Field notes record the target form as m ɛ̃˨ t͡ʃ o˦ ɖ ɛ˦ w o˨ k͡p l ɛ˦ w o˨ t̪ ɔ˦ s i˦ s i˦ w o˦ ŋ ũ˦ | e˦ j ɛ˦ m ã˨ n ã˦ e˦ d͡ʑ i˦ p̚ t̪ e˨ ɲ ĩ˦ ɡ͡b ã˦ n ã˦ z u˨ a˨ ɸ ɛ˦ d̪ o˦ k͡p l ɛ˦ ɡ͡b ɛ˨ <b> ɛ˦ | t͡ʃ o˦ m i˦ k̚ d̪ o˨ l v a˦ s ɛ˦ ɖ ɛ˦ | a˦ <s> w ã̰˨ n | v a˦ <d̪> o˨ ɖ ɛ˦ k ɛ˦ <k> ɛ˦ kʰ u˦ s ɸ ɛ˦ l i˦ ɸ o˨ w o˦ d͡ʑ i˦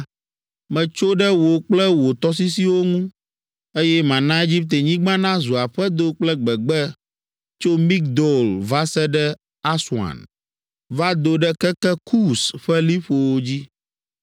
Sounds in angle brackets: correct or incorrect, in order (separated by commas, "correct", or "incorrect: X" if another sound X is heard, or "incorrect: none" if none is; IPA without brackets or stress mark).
incorrect: ɡ͡b, correct, correct, correct